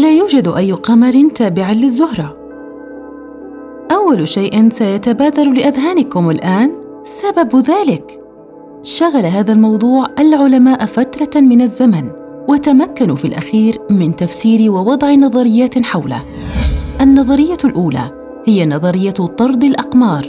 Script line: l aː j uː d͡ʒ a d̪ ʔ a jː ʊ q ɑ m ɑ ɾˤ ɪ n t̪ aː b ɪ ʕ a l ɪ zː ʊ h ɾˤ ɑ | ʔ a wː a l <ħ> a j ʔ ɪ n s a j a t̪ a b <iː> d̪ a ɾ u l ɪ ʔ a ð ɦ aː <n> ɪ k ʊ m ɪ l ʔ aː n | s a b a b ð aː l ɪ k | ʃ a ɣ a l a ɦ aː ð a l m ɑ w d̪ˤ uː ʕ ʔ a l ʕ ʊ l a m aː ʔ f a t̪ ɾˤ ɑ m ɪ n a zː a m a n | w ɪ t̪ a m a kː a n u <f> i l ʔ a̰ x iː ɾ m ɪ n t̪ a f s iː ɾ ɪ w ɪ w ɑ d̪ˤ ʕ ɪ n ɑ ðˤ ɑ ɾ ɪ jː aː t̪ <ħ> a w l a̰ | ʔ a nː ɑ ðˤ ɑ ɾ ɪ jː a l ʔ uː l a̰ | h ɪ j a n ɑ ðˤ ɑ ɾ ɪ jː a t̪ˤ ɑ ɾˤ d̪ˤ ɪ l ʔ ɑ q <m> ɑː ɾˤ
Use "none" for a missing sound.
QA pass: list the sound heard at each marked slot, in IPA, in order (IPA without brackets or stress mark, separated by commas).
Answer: ʃ, aː, n, f, ħ, m